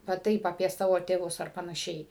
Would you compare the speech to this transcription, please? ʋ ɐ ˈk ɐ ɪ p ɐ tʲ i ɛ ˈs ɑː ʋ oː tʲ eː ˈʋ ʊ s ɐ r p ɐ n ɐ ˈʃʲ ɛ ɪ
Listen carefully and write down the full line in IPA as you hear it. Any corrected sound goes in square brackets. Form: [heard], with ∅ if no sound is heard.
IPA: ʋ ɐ [ˈt] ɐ ɪ p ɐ [pʲ] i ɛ ˈs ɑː ʋ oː tʲ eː ˈʋ ʊ s ɐ r p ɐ n ɐ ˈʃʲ ɛ ɪ

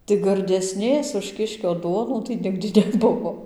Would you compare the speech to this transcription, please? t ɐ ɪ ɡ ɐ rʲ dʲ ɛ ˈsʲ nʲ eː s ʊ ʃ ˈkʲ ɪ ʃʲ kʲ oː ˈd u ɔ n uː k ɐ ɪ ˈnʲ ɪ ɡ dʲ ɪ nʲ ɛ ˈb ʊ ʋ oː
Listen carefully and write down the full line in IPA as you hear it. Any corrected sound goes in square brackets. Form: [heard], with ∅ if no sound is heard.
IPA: t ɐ ɪ ɡ ɐ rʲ dʲ ɛ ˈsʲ nʲ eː s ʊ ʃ ˈkʲ ɪ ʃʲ kʲ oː ˈd u ɔ n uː [t] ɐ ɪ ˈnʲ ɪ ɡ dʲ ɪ nʲ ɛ ˈb ʊ ʋ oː

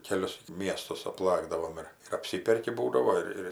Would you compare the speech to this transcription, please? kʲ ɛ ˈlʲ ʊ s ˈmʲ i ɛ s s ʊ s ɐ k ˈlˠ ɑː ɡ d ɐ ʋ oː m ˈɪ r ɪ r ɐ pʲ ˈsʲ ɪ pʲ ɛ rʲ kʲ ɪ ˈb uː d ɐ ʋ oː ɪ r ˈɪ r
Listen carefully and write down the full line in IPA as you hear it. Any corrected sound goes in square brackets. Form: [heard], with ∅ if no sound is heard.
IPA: kʲ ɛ ˈlʲ ʊ s ˈmʲ i ɛ s [t] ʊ s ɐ [p] ˈlˠ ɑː ɡ d ɐ ʋ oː m ˈɪ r ɪ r ɐ pʲ ˈsʲ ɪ pʲ ɛ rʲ kʲ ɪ ˈb uː d ɐ ʋ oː ɪ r ˈɪ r

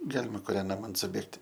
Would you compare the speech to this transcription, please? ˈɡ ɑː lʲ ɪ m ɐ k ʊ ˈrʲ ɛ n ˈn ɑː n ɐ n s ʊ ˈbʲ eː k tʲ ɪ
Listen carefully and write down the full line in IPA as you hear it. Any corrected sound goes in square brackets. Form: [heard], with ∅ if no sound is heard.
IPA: ˈɡ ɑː lʲ ɪ m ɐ k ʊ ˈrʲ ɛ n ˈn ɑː [m] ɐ n s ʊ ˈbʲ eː k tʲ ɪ

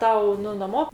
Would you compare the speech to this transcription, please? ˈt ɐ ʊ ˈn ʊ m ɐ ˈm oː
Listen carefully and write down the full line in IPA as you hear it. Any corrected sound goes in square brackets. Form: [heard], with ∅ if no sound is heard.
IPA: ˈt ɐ ʊ ˈn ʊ [n] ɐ ˈm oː

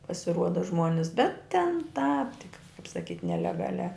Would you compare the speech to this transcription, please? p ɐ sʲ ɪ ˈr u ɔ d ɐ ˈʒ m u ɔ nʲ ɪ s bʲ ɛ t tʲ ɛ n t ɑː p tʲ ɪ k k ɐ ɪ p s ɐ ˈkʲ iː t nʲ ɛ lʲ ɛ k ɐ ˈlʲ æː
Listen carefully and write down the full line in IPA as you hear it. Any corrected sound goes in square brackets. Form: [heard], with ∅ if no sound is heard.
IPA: p ɐ sʲ ɪ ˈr u ɔ d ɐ ˈʒ m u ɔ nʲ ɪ s bʲ ɛ t tʲ ɛ n t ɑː p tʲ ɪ k k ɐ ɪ p s ɐ ˈkʲ iː t nʲ ɛ lʲ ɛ [ɡ] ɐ ˈlʲ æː

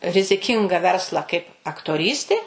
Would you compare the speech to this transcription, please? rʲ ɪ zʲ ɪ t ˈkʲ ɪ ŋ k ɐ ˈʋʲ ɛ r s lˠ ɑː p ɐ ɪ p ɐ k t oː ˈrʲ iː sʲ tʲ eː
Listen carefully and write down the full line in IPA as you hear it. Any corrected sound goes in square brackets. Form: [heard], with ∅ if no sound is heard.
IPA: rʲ ɪ zʲ ɪ [∅] ˈkʲ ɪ ŋ [ɡ] ɐ ˈʋʲ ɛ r s lˠ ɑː [k] ɐ ɪ p ɐ k t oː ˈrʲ iː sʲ tʲ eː

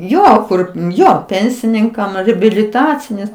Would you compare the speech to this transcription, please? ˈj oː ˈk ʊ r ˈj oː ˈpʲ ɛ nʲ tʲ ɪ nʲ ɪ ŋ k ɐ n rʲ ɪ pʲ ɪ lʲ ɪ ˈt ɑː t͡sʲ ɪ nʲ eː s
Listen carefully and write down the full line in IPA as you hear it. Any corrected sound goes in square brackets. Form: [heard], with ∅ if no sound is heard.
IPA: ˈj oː ˈk ʊ r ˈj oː ˈpʲ ɛ nʲ [sʲ] ɪ nʲ ɪ ŋ k ɐ [m] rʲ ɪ [bʲ] ɪ lʲ ɪ ˈt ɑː t͡sʲ ɪ nʲ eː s

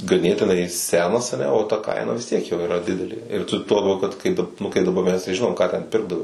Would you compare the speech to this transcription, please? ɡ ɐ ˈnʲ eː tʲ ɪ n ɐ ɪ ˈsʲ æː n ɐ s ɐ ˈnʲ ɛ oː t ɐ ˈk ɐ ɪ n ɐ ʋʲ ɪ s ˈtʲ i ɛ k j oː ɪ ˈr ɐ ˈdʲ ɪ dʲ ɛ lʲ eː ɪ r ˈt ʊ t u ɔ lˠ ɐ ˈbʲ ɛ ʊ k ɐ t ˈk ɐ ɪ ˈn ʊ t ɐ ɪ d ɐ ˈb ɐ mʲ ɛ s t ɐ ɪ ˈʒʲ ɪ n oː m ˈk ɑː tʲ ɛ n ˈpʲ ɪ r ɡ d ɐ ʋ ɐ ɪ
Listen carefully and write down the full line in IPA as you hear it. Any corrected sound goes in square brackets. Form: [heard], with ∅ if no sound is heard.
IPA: ɡ ɐ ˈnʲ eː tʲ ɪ n ɐ ɪ ˈsʲ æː n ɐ s ɐ ˈnʲ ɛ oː t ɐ ˈk ɐ ɪ n ɐ ʋʲ ɪ s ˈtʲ i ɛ k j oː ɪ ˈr ɐ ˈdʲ ɪ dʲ ɛ lʲ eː ɪ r ˈt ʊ t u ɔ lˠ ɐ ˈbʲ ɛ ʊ k ɐ t ˈk ɐ ɪ ˈn ʊ [k] ɐ ɪ d ɐ ˈb ɐ mʲ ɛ s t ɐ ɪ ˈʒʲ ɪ n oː m ˈk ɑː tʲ ɛ n ˈpʲ ɪ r ɡ d ɐ ʋ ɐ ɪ

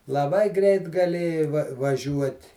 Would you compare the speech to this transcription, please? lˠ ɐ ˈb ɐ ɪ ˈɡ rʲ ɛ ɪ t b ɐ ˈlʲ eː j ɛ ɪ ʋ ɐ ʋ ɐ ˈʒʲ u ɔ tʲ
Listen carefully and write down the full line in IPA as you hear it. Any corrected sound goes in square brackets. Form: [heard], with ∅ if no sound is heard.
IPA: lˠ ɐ ˈb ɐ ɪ ˈɡ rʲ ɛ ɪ t [ɡ] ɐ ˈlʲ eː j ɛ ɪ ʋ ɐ ʋ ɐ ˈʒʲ u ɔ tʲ

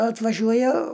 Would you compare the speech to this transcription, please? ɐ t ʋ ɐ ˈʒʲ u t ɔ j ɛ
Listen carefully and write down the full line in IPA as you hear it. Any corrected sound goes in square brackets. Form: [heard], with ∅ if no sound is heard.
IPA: ɐ t ʋ ɐ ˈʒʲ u [∅] ɔ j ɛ

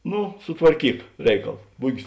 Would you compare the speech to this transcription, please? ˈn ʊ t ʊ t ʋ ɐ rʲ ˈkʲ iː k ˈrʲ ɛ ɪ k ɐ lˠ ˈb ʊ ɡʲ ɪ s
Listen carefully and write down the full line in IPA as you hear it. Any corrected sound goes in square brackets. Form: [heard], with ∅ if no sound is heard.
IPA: ˈn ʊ [s] ʊ t ʋ ɐ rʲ ˈkʲ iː k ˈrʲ ɛ ɪ k ɐ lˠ ˈb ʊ ɡʲ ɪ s

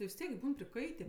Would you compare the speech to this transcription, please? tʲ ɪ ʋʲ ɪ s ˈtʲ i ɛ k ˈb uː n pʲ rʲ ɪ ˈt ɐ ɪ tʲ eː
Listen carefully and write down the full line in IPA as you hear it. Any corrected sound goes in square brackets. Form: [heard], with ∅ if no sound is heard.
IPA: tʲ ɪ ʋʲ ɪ s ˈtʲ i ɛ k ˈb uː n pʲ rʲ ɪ [ˈk] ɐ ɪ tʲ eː

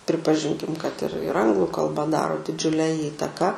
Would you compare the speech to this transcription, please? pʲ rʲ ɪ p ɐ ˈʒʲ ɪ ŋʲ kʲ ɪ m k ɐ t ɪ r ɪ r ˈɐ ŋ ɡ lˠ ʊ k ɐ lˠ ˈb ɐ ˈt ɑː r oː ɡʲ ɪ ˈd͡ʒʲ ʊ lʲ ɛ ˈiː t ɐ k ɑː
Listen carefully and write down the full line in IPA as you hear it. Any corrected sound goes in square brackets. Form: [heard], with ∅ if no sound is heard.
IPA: pʲ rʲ ɪ p ɐ ˈʒʲ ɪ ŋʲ kʲ ɪ m k ɐ t ɪ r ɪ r ˈɐ ŋ ɡ lˠ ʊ k ɐ lˠ ˈb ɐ [ˈd] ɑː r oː [dʲ] ɪ ˈd͡ʒʲ ʊ lʲ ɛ ˈiː t ɐ k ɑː

